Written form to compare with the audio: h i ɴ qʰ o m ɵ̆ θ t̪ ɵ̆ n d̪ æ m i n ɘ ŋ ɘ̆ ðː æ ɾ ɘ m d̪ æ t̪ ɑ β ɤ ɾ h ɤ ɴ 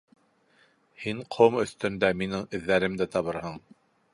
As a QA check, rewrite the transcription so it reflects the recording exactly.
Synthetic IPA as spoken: h i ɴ qʰ o m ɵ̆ θ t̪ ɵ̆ n d̪ æ m i n ɘ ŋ ɘ̆ ðː æ ɾ ɘ m d̪ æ t̪ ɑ β ɤ ɾ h ɤ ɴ